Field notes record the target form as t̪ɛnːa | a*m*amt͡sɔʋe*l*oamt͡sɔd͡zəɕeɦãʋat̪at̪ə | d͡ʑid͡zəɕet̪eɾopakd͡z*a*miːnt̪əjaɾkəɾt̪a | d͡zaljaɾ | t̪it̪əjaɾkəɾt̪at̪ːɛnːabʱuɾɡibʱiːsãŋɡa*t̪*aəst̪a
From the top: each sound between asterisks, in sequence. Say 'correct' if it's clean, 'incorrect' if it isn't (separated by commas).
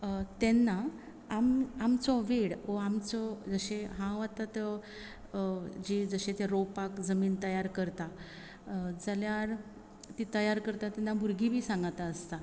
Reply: correct, incorrect, incorrect, correct